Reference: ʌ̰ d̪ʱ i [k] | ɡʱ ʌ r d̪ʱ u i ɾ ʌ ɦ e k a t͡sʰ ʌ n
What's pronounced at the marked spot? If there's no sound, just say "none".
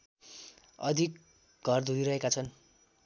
k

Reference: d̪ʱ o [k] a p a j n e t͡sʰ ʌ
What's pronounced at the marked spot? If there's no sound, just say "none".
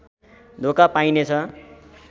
k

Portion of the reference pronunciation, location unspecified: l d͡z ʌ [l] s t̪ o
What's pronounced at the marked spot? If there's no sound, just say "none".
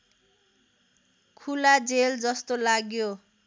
none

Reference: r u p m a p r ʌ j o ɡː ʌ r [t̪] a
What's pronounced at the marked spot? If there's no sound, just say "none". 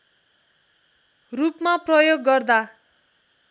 d̪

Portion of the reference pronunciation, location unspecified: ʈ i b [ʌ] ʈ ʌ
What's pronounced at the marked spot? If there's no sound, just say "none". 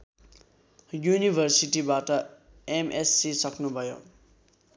a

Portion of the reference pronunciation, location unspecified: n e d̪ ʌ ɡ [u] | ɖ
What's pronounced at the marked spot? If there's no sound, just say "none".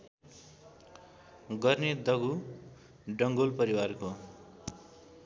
u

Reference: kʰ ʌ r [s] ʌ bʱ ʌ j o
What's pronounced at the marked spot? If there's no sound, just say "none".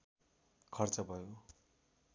t͡s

